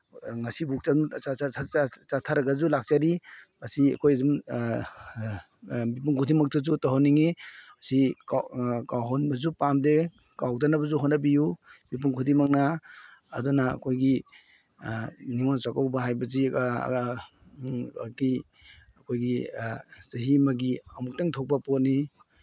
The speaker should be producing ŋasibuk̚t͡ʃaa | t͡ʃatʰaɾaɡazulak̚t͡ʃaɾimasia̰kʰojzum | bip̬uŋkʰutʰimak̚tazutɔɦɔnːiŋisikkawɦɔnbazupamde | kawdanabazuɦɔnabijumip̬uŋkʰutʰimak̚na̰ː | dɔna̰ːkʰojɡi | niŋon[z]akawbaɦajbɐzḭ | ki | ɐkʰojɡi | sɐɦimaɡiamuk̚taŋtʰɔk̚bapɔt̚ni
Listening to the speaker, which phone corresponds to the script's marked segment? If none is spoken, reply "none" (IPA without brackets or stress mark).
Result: s